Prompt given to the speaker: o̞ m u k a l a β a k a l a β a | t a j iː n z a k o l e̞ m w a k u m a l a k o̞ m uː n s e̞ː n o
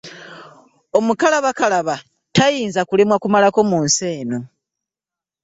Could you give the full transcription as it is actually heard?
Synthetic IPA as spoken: o̞ m u k a l a β a k a l a β a | t a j iː n z a k u l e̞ m w a k u m a l a k o̞ m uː n s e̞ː n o